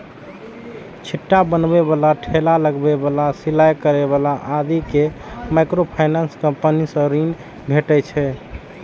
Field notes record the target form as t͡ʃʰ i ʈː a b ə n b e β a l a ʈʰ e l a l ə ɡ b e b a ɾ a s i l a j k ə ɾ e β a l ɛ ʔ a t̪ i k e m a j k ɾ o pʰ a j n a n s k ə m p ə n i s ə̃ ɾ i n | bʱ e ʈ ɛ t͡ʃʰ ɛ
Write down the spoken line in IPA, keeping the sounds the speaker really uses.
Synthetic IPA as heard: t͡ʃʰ i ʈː a b ə n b e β a l a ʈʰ e l a l ə ɡ b e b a l a s i l a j k ə ɾ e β a l a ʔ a d̪ i k e m a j k ɾ o pʰ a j n a n s k ə m p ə n i s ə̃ ɾ i n | bʱ e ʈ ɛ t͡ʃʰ ɛ